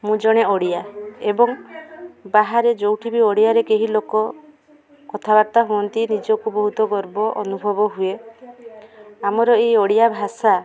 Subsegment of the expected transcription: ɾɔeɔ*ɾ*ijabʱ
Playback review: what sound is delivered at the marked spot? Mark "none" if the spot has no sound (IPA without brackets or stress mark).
ɽ